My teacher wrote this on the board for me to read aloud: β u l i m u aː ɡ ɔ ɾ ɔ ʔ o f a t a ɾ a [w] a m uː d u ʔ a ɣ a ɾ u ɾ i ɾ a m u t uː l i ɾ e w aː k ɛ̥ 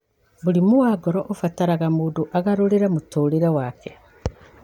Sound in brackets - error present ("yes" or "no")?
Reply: yes